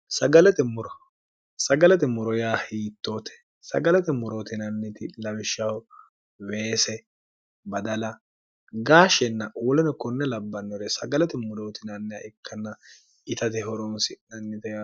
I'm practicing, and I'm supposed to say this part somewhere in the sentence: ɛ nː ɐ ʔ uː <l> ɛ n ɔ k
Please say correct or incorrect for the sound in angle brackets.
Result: correct